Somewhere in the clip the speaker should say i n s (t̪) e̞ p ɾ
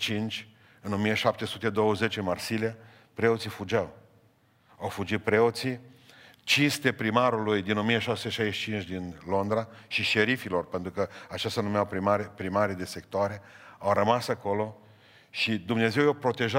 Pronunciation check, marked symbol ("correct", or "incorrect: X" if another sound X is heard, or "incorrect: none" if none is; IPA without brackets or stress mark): correct